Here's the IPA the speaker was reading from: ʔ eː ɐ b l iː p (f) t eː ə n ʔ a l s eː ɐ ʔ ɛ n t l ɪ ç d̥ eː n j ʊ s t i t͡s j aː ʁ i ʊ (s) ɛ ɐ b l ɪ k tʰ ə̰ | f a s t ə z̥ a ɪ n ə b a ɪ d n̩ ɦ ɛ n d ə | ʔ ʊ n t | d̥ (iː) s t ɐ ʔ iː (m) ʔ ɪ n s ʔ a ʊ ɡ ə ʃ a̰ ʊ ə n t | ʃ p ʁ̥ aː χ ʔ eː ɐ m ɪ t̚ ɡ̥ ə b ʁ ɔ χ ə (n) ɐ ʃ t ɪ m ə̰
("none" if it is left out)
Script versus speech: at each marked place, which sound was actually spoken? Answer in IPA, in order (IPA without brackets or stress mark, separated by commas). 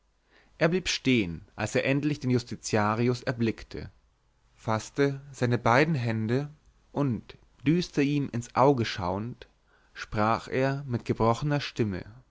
ʃ, s, yː, m, n